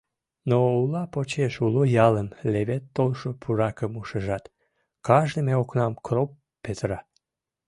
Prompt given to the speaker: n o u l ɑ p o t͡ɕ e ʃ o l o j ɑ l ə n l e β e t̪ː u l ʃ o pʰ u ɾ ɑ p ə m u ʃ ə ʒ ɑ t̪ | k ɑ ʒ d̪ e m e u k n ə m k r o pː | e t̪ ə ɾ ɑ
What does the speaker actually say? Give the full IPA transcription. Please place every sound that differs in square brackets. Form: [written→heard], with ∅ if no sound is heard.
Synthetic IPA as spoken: n o u l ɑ p o t͡ɕ e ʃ [o→u] l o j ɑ l ə n l e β e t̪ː [u→o] l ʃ o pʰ u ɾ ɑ [p→k] ə m u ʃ ə ʒ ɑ t̪ | k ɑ ʒ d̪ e m e [u→o] k n [ə→ɑ] m k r o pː | e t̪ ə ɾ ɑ